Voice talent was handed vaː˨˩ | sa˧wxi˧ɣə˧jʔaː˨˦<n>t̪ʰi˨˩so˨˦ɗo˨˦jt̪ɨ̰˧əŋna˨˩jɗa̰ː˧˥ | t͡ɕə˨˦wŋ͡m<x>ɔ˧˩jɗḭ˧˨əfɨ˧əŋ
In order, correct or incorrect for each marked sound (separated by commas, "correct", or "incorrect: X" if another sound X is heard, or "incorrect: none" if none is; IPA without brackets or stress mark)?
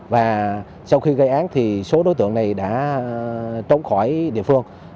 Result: correct, correct